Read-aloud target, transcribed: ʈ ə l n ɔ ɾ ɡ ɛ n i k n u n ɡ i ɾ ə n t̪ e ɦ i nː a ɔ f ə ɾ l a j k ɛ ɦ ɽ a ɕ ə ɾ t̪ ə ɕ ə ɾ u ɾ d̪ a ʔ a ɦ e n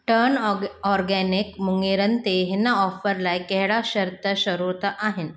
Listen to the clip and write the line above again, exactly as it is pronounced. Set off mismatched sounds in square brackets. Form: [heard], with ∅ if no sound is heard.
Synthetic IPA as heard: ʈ ə [ɾ] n ɔ ɾ ɡ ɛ n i k [m] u [ŋ] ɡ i ɾ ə n t̪ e ɦ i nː a ɔ f ə ɾ l a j k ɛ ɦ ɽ a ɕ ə ɾ t̪ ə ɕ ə ɾ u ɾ [t̪] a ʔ a ɦ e n